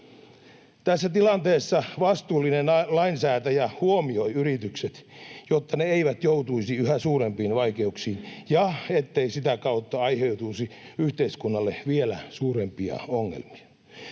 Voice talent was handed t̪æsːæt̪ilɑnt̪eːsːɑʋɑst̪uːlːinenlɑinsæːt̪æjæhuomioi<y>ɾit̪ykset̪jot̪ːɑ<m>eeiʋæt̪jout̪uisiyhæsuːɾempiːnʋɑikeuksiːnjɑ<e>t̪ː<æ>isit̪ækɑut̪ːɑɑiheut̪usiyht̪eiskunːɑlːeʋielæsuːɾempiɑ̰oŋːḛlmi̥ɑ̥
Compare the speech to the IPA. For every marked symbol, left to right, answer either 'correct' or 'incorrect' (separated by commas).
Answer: correct, incorrect, correct, incorrect